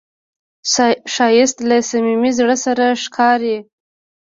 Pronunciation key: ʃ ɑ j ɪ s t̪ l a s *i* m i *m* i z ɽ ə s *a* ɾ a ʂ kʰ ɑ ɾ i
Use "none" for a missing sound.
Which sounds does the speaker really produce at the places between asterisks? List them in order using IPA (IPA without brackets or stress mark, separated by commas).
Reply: a, m, a